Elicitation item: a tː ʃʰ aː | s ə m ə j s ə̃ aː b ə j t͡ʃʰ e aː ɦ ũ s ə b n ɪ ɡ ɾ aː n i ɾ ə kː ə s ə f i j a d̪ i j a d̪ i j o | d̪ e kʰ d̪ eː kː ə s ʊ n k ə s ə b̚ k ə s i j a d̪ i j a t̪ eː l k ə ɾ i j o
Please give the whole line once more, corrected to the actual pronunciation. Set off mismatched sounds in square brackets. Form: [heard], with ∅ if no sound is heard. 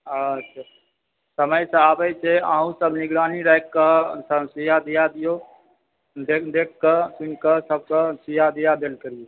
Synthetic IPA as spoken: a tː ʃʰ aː | s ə m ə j s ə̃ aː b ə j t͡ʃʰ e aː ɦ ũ s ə b n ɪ ɡ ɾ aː n i ɾ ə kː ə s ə [s] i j a d̪ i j a d̪ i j o | d̪ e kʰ d̪ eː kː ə s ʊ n k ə s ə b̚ k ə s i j a d̪ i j a [d̪] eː l k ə ɾ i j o

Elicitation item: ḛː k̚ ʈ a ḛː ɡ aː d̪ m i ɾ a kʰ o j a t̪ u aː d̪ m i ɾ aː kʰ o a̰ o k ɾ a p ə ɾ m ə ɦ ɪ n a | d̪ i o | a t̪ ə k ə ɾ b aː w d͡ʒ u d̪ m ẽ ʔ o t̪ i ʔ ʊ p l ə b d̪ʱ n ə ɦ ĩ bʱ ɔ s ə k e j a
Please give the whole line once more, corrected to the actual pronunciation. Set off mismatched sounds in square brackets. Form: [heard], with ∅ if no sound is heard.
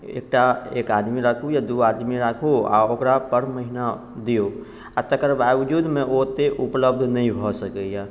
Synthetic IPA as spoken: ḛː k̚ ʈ a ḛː [k] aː d̪ m i ɾ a kʰ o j a [d̪] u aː d̪ m i ɾ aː kʰ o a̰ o k ɾ a p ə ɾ m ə ɦ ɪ n a | d̪ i o | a t̪ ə k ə ɾ b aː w d͡ʒ u d̪ m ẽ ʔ o t̪ [e] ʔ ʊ p l ə b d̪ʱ n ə ɦ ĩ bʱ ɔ s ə k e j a

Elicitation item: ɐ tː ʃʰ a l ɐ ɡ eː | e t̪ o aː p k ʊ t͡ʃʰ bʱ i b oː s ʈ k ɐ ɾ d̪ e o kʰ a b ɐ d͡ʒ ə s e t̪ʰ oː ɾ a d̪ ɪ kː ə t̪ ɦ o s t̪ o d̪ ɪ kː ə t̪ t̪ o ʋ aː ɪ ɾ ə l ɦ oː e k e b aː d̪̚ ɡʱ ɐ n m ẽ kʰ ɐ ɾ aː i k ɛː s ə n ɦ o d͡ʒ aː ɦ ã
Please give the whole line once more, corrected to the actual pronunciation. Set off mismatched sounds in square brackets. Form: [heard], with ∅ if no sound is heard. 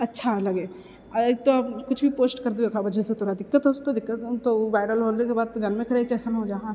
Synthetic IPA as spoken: ɐ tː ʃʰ a l ɐ ɡ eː | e t̪ o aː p k ʊ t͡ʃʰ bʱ i [p] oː s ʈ k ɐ ɾ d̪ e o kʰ a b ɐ d͡ʒ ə s e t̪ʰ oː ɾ a d̪ ɪ kː ə t̪ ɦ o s t̪ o d̪ ɪ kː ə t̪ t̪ o ʋ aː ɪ ɾ ə l ɦ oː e k e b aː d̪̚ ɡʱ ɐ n m ẽ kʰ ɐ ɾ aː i k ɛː s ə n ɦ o d͡ʒ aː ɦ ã

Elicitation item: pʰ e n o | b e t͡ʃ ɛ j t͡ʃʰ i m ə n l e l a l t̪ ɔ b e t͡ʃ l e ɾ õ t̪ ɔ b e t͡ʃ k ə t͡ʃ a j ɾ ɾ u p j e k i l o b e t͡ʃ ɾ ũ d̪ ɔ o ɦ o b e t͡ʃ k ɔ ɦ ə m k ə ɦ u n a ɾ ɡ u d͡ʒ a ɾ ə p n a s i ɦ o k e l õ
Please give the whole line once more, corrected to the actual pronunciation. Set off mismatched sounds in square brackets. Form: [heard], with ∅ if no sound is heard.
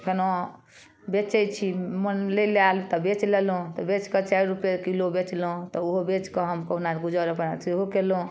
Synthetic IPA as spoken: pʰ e n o | b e t͡ʃ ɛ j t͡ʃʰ i m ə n l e l a l t̪ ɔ b e t͡ʃ l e [l] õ t̪ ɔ b e t͡ʃ k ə t͡ʃ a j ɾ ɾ u p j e k i l o b e t͡ʃ [l] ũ [t̪] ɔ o ɦ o b e t͡ʃ k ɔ ɦ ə m k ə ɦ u n a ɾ ɡ u d͡ʒ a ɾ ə p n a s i ɦ o k e l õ

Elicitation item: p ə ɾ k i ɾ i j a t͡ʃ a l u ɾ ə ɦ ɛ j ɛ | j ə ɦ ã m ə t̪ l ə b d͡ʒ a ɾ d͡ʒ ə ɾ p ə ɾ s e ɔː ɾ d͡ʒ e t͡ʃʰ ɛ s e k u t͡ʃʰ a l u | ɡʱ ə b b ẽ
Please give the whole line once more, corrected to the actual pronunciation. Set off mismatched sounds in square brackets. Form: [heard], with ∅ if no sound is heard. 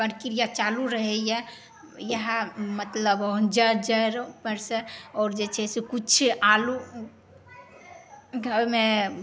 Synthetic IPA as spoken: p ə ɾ k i ɾ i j a t͡ʃ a l u ɾ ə ɦ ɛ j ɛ | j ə ɦ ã m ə t̪ l ə b d͡ʒ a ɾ d͡ʒ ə ɾ p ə ɾ s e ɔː ɾ d͡ʒ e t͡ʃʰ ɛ s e k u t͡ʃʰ a l u | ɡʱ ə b [m] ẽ

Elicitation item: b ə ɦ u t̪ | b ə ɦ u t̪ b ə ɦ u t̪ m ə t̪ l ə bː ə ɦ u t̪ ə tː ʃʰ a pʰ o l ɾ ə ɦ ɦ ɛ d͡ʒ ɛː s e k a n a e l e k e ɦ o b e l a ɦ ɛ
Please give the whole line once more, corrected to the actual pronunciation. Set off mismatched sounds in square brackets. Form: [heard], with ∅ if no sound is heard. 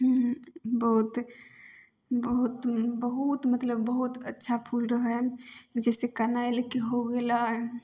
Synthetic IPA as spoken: b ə ɦ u t̪ | b ə ɦ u t̪ b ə ɦ u t̪ m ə t̪ l ə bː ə ɦ u t̪ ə tː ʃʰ a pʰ [u] l ɾ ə ɦ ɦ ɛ d͡ʒ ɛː s e k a n a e l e k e ɦ o [ɡ] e l a ɦ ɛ

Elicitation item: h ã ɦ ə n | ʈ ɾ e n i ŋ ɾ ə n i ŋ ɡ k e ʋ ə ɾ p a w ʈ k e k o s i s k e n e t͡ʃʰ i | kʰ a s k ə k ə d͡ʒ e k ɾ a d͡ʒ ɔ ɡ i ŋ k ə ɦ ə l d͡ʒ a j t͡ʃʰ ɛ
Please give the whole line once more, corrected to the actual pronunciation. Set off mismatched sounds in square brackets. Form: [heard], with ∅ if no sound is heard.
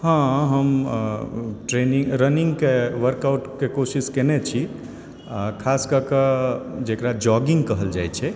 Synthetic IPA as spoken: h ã ɦ ə [m] | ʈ ɾ e n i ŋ ɾ ə n i ŋ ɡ k e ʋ ə ɾ [k] a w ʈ k e k o s i s k e n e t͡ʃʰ i | kʰ a s k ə k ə d͡ʒ e k ɾ a d͡ʒ ɔ ɡ i ŋ k ə ɦ ə l d͡ʒ a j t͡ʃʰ ɛ

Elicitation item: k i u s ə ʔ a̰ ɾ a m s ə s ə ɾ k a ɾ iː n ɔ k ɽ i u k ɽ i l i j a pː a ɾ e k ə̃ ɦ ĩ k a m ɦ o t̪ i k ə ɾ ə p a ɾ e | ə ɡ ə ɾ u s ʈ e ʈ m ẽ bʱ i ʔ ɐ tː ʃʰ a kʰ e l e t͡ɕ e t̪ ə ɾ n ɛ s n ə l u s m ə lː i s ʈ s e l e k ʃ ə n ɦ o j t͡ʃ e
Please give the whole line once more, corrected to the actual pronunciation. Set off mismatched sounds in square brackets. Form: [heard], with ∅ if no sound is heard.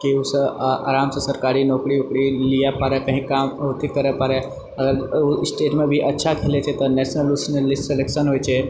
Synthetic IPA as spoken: k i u s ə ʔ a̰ ɾ a m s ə s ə ɾ k a ɾ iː n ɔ k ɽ i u k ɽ i l i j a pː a ɾ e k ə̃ ɦ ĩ k a m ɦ o t̪ i k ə ɾ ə p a ɾ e | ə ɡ ə ɾ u s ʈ e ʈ m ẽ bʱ i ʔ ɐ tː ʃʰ a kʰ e l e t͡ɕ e t̪ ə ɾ n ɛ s n ə l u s [n] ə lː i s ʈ s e l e k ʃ ə n ɦ o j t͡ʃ e

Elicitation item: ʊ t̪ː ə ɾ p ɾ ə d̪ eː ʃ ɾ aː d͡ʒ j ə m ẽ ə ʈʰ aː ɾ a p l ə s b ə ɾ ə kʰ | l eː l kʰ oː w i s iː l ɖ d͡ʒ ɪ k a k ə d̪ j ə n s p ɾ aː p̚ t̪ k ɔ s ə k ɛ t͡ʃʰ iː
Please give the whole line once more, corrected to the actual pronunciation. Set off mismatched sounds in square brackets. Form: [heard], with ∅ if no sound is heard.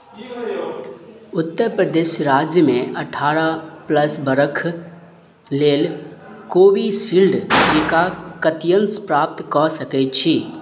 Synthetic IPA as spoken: ʊ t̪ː ə ɾ p ɾ ə d̪ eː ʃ ɾ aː d͡ʒ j ə m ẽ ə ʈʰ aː ɾ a p l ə s b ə ɾ ə kʰ | l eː l [k] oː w i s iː l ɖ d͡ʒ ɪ k a k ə [t̪] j ə n s p ɾ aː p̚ t̪ k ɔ s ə k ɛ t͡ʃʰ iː

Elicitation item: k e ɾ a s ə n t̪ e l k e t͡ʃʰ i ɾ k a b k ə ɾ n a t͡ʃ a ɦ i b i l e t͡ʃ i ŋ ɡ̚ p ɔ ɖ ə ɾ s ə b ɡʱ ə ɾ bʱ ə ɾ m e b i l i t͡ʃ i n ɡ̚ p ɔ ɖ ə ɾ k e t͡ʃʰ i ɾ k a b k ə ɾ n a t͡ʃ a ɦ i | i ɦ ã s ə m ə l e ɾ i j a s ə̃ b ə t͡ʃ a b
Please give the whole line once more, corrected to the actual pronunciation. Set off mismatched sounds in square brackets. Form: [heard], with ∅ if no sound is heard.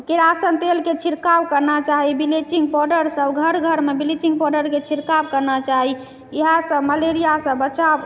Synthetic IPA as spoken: k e ɾ a s ə n t̪ e l k e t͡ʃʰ i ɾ k a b k ə ɾ n a t͡ʃ a ɦ i b i l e t͡ʃ i ŋ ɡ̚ p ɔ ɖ ə ɾ s ə b ɡʱ ə ɾ [ɡʱ] ə ɾ m e b i l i t͡ʃ i [ŋ] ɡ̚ p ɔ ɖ ə ɾ k e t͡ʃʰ i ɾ k a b k ə ɾ n a t͡ʃ a ɦ i | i ɦ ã s ə m ə l e ɾ i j a s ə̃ b ə t͡ʃ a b

